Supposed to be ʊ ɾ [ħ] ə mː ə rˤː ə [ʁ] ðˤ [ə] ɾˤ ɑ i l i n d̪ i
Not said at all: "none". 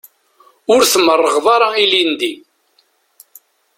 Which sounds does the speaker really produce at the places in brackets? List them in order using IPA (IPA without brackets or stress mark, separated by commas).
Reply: θ, ʁ, ɑ